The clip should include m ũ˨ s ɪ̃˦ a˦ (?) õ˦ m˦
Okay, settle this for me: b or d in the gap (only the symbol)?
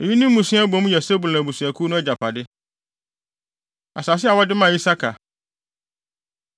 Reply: b